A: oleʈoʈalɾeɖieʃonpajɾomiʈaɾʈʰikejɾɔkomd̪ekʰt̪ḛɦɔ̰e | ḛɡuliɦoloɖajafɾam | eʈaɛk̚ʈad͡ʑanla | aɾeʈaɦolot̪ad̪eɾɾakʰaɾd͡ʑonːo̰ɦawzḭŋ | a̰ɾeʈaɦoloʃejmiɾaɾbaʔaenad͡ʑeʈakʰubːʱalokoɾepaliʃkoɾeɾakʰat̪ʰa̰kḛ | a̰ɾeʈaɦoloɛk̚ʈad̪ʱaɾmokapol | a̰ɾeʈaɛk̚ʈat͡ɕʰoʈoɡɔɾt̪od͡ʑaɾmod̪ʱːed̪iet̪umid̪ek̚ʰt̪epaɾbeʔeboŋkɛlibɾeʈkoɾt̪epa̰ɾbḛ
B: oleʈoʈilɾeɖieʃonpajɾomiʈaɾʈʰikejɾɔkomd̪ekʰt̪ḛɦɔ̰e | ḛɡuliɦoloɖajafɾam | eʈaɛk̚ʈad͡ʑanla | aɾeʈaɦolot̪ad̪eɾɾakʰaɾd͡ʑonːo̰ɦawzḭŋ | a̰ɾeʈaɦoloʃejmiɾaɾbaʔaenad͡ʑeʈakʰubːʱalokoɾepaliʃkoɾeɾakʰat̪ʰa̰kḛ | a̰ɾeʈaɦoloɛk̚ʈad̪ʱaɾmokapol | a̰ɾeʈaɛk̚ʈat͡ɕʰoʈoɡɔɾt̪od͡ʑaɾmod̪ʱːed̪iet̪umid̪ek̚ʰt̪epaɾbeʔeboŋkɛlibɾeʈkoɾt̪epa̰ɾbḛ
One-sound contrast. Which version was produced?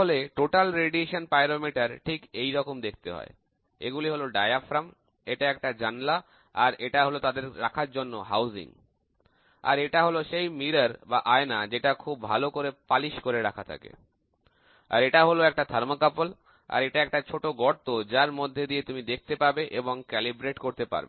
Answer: A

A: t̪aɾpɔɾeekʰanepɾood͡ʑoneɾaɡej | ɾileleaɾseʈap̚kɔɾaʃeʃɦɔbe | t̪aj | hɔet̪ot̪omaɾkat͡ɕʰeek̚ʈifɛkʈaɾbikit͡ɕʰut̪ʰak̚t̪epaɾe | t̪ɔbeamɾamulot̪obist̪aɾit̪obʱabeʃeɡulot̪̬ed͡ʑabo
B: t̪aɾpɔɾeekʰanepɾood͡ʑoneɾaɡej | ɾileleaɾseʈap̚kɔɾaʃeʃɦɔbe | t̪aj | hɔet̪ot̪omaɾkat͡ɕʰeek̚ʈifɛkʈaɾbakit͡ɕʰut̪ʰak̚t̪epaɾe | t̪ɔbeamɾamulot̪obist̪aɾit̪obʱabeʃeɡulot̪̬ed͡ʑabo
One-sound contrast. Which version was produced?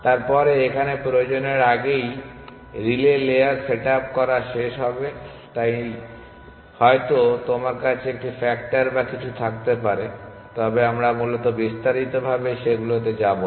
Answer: B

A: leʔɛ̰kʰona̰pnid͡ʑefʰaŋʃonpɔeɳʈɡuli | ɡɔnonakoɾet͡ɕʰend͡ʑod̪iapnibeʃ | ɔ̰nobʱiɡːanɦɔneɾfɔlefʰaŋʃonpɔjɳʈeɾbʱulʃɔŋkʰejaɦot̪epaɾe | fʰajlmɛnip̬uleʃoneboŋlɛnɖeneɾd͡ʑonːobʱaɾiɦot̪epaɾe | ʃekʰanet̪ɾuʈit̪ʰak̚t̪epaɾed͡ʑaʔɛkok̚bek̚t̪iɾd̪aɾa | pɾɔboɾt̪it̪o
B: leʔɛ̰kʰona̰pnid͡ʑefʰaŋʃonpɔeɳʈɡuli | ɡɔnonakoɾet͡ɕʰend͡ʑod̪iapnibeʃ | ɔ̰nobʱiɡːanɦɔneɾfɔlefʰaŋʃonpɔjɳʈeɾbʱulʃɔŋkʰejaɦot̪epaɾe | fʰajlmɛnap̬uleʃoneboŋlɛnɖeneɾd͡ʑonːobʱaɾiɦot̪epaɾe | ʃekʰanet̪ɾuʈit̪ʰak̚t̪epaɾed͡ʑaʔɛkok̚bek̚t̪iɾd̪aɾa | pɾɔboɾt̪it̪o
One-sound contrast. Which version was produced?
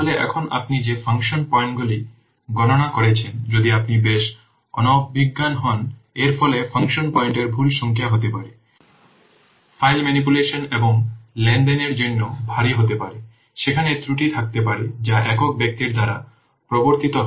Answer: A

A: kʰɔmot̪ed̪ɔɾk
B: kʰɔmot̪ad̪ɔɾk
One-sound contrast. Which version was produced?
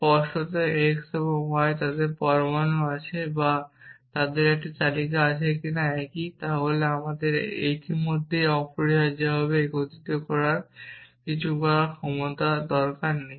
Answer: B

